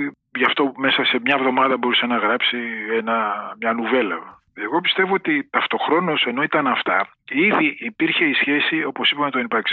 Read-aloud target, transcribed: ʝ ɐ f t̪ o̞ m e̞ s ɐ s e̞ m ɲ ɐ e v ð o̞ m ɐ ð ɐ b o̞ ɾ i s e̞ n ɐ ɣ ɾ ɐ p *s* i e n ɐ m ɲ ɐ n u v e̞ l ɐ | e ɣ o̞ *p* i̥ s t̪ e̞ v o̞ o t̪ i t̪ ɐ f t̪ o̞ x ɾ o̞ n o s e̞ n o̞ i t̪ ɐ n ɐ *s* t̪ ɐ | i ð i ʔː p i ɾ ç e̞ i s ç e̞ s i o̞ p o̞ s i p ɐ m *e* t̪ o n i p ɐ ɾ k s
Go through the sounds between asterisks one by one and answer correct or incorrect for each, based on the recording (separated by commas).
correct, correct, incorrect, correct